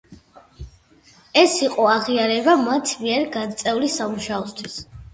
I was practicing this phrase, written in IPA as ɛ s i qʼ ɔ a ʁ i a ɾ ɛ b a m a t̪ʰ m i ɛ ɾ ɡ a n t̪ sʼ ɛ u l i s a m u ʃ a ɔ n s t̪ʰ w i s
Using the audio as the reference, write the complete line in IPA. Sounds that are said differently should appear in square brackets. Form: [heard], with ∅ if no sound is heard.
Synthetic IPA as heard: ɛ s i qʼ ɔ a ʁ i a ɾ ɛ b a m a t̪ʰ m i ɛ ɾ ɡ a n t̪ sʼ ɛ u l i s a m u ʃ a ɔ [∅] s t̪ʰ w i s